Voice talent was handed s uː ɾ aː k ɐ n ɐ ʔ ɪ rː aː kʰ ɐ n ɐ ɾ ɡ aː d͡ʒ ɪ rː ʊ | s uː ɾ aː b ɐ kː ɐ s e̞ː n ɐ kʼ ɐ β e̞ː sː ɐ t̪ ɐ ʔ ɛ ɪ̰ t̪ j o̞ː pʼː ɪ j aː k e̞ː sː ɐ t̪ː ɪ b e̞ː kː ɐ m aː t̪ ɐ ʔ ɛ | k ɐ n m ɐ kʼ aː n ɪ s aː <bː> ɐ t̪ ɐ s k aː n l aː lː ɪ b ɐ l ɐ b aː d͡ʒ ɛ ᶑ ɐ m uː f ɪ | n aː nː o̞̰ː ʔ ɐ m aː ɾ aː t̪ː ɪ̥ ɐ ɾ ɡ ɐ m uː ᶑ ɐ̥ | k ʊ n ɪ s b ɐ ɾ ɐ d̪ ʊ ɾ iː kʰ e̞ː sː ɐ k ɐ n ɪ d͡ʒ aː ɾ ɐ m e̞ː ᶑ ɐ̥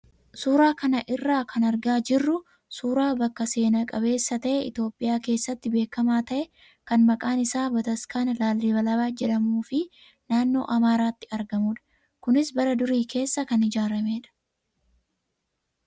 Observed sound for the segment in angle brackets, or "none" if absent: b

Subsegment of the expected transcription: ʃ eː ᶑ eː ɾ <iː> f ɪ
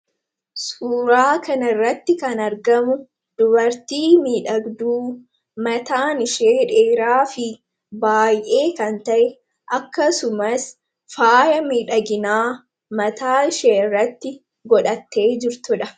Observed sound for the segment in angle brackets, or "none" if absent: aː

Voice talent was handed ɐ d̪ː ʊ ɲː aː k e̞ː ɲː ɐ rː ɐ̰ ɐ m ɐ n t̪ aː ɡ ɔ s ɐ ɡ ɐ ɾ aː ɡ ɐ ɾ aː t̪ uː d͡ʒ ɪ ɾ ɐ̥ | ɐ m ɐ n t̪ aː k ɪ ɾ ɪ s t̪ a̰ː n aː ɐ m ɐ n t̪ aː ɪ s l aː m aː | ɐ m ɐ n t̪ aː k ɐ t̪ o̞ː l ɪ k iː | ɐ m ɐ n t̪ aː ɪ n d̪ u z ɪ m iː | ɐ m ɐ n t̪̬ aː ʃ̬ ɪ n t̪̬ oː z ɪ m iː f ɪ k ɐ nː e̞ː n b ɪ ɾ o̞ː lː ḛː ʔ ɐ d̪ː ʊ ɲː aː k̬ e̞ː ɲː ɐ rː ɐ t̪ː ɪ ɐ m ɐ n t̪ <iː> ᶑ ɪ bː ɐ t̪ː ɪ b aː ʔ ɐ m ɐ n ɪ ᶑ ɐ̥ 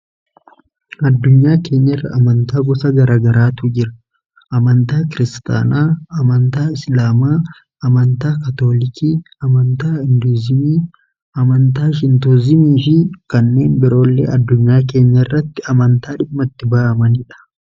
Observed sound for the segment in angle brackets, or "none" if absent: aː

